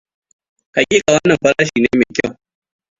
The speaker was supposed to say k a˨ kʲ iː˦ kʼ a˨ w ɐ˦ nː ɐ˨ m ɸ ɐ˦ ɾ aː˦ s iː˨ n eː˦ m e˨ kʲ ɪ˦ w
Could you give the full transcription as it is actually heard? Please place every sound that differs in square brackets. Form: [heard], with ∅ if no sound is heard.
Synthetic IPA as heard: k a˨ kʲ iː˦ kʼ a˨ w ɐ˦ nː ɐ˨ m ɸ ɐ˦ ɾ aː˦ [ʃ] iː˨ n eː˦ m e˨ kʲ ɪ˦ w